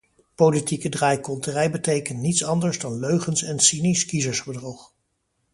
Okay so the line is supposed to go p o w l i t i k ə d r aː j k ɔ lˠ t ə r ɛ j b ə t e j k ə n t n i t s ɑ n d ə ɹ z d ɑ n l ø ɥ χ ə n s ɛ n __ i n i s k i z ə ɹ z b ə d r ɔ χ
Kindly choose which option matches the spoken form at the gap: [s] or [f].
s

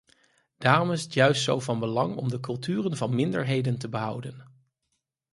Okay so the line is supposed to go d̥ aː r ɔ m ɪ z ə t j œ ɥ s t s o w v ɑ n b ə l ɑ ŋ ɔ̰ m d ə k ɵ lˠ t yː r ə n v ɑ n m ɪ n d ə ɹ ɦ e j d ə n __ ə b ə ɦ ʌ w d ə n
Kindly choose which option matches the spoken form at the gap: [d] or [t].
t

